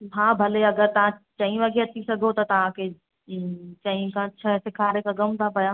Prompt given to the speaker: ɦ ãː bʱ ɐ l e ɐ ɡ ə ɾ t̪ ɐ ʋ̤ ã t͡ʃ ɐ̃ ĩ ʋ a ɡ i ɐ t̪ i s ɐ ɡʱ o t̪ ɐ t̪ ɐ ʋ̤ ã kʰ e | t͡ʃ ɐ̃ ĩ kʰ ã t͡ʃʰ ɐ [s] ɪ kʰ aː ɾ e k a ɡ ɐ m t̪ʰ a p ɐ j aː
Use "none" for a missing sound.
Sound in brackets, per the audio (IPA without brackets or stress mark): s